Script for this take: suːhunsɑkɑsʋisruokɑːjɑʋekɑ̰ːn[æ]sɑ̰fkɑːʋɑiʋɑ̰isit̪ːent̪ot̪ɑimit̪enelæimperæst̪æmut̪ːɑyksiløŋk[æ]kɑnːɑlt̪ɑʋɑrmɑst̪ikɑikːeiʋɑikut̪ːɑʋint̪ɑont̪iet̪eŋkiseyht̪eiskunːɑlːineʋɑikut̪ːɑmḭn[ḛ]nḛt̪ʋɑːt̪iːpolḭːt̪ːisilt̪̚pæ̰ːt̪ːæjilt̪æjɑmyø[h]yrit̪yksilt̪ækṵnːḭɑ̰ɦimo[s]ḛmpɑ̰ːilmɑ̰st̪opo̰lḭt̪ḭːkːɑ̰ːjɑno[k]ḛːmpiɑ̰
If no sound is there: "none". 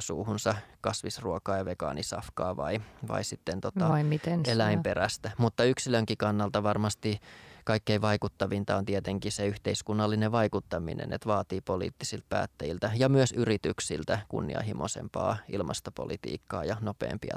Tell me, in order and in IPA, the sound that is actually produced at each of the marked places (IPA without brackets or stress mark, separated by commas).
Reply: i, i, ḛ, s, s, p